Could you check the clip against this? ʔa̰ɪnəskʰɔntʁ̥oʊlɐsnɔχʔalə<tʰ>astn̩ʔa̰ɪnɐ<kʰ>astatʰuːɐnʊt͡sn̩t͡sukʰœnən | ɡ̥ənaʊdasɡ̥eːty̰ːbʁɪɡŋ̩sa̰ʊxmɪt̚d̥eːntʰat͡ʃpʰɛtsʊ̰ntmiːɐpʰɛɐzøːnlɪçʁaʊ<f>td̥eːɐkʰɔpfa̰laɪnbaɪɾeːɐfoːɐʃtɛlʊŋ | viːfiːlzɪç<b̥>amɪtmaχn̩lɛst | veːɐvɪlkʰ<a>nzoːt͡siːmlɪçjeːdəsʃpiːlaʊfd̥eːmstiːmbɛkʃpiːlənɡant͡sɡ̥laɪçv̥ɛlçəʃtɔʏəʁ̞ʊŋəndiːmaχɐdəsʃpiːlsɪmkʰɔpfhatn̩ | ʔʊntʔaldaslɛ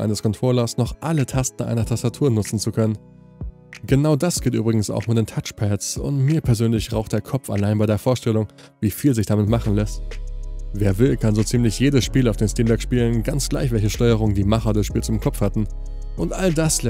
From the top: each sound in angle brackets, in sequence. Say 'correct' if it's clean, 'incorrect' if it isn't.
correct, incorrect, incorrect, incorrect, correct

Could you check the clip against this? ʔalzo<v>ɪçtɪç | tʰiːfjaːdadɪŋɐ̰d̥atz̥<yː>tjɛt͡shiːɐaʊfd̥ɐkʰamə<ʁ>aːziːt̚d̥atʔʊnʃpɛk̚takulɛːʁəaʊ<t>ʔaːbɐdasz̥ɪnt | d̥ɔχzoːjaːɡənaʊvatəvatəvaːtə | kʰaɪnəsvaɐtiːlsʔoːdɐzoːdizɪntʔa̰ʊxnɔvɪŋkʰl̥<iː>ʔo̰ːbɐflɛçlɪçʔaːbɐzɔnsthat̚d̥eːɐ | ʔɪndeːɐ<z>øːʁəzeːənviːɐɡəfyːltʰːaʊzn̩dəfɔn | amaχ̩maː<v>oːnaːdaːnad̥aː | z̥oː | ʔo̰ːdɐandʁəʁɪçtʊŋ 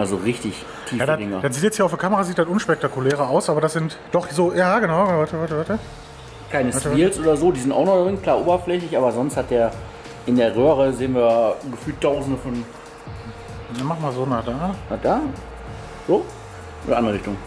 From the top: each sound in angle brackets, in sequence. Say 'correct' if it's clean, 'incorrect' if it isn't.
incorrect, incorrect, correct, incorrect, incorrect, incorrect, incorrect

